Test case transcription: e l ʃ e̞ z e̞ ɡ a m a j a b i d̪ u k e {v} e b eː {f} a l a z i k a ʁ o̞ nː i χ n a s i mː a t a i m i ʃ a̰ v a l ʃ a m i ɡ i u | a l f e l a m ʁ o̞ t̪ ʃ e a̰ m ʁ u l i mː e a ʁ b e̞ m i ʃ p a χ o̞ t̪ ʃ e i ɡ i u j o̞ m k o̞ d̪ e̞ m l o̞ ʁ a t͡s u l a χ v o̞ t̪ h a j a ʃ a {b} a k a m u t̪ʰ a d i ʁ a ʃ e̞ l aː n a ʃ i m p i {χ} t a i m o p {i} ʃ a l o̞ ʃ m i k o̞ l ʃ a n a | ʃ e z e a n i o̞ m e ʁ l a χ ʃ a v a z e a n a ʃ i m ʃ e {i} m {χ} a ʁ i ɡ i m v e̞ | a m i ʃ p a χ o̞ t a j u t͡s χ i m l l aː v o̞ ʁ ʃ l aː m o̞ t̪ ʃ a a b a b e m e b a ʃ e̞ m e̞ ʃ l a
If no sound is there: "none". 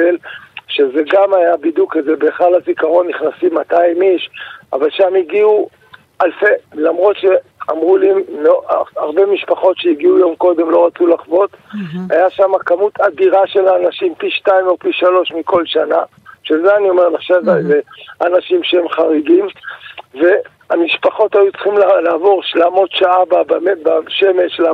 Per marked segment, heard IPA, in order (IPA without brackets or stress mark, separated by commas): z, χ, m, ʃ, i, e, χ